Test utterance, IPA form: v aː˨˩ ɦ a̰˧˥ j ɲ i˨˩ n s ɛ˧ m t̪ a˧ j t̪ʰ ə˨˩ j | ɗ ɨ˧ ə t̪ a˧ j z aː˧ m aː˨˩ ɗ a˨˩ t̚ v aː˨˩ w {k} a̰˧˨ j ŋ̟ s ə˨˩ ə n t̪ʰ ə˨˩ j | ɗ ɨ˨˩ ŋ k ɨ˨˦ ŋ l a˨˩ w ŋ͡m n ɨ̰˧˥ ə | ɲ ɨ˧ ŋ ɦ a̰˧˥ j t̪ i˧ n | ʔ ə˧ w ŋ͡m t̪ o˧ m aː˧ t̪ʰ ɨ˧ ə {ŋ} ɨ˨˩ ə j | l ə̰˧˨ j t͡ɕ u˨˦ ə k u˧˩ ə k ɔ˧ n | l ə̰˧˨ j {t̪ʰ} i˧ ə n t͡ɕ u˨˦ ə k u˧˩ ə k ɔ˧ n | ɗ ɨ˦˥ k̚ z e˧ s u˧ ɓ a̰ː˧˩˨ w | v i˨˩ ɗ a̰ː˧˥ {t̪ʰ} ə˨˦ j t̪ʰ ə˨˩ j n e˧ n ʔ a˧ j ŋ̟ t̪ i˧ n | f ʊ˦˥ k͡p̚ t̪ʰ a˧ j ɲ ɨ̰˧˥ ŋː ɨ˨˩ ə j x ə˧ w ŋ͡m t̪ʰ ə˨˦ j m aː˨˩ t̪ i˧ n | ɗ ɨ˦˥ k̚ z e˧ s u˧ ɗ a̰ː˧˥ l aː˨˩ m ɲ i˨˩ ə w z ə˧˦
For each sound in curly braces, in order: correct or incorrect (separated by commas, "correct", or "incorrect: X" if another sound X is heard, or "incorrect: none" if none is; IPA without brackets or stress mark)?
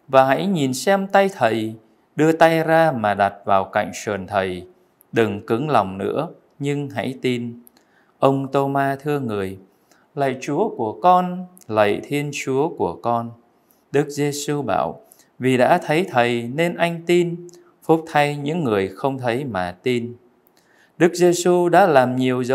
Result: correct, correct, correct, correct